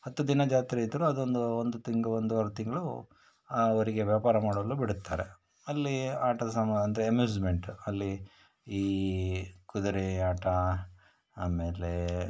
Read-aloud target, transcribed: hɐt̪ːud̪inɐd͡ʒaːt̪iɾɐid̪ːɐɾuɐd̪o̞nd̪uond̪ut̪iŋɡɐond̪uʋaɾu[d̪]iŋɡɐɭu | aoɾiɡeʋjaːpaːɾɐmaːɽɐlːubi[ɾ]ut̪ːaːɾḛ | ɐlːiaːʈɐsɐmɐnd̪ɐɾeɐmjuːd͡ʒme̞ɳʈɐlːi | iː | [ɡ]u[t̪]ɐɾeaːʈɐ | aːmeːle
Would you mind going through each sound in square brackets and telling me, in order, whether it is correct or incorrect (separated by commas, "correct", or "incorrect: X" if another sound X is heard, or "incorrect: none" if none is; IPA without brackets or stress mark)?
incorrect: t̪, incorrect: ɽ, incorrect: k, incorrect: d̪